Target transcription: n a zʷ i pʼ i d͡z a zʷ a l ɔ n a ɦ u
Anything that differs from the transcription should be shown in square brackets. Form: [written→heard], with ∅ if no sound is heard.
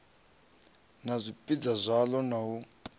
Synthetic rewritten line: n a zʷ i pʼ i d͡z a zʷ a l ɔ n a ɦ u